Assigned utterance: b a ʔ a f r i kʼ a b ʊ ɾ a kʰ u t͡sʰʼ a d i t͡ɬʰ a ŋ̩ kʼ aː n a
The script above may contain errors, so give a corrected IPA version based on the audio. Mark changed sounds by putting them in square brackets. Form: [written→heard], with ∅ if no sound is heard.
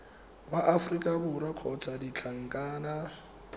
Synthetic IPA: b a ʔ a f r i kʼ a b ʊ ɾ a kʰ [u→ɔ] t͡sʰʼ a d i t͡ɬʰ a ŋ̩ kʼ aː n a